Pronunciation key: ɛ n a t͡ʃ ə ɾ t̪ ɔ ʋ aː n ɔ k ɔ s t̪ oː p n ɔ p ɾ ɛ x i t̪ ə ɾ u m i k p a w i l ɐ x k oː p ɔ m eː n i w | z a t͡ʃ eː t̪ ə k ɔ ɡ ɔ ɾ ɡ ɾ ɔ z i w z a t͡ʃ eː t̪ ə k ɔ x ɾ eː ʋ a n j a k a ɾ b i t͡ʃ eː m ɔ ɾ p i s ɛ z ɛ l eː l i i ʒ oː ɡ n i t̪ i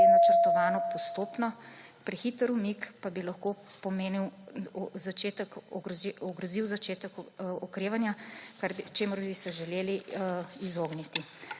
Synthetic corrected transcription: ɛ n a t͡ʃ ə ɾ t̪ ɔ ʋ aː n ɔ p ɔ s t̪ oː p n ɔ p ɾ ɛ x i t̪ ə ɾ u m i k p a b i l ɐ x k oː p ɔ m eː n i w | z a t͡ʃ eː t̪ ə k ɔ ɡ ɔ ɡ ɾ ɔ z i w z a t͡ʃ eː t̪ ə k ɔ k ɾ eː ʋ a n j a k a ɾ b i t͡ʃ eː m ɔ ɾ b i s ɛ ʒ ɛ l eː l i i z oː ɡ n i t̪ i

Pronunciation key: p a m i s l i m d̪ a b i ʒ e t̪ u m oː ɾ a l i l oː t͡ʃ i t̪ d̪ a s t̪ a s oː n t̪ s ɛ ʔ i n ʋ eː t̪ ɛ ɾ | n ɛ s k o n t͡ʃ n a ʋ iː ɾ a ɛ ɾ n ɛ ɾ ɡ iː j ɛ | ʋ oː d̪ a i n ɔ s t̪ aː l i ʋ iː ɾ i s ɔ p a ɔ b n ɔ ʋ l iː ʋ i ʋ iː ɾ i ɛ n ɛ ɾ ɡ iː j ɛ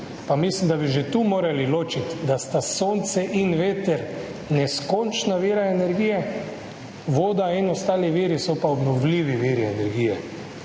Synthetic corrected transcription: p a m i s l i m d̪ a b i ʒ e t̪ u m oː ɾ a l i l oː t͡ʃ i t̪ d̪ a s t̪ a s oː n t̪ s ɛ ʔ i n ʋ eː t̪ ɛ ɾ | n ɛ s k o n t͡ʃ n a ʋ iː ɾ a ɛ n ɛ ɾ ɡ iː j ɛ | ʋ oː d̪ a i n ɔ s t̪ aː l i ʋ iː ɾ i s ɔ p a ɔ b n ɔ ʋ l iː ʋ i ʋ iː ɾ i ɛ n ɛ ɾ ɡ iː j ɛ

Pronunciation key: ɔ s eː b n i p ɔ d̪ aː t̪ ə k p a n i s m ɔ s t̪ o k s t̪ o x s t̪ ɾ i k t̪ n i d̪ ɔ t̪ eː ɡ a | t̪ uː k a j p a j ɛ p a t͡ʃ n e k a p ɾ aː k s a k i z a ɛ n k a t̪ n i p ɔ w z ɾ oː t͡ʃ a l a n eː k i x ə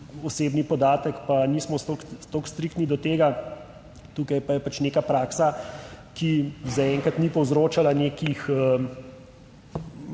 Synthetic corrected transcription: ɔ s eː b n i p ɔ d̪ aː t̪ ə k p a n i s m ɔ s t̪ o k s t̪ o k s t̪ ɾ i k t̪ n i d̪ ɔ t̪ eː ɡ a | t̪ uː k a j p a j ɛ p a t͡ʃ n e k a p ɾ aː k s a k i z a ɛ ŋ k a t̪ n i p ɔ w z ɾ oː t͡ʃ a l a n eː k i x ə

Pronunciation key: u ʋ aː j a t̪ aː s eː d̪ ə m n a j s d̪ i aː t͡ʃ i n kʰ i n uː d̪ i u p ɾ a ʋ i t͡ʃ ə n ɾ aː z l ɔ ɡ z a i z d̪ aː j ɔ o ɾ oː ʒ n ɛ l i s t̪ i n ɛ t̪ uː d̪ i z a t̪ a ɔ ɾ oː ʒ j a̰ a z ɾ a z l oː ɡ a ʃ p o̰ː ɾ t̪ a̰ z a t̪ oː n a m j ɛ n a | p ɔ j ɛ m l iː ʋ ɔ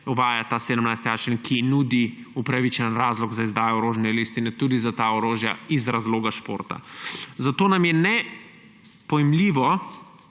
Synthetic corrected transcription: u ʋ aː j a t̪ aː s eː d̪ ə m n a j s t̪ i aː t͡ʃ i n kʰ i n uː d̪ i u p ɾ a ʋ i t͡ʃ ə n ɾ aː z l ɔ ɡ z a i z d̪ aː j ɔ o ɾ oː ʒ n ɛ l i s t̪ i n ɛ t̪ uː d̪ i z a t̪ a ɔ ɾ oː ʒ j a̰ i z ɾ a z l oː ɡ a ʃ p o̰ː ɾ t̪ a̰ z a t̪ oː n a m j ɛ n ɛ | p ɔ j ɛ m l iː ʋ ɔ

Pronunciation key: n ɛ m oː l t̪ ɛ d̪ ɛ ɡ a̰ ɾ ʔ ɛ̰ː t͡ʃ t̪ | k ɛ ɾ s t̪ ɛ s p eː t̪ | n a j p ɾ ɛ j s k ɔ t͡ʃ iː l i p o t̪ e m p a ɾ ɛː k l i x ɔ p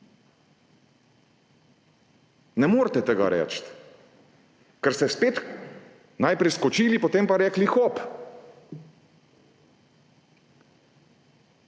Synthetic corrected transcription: n ɛ m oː ɾ t̪ ɛ t̪ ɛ ɡ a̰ ɾ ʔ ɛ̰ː t͡ʃ t̪ | k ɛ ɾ s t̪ ɛ s p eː t̪ | n a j p ɾ ɛ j s k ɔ t͡ʃ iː l i p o t̪ e m p a ɾ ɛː k l i x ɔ p

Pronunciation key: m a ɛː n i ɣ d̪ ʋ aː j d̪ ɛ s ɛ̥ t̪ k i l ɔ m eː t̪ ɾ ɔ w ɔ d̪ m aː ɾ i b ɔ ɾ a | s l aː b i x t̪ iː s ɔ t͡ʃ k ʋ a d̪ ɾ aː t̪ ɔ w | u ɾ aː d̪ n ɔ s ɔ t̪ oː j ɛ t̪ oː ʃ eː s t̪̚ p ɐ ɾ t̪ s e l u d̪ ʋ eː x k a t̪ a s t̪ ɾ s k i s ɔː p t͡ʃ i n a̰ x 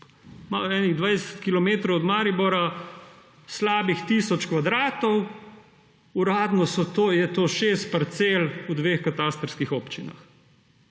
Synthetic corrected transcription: m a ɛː n i ɣ d̪ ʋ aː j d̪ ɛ s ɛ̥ t̪ k i l ɔ m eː t̪ ɾ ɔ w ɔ d̪ m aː ɾ i b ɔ ɾ a | s l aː b i x t̪ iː s ɔ t͡ʃ k ʋ a d̪ ɾ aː t̪ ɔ w | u ɾ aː d̪ n ɔ s ɔ t̪ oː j ɛ t̪ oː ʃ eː s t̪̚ p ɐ ɾ t̪ s e l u d̪ ʋ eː x k a t̪ a s t̪ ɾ s k i x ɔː p t͡ʃ i n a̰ x

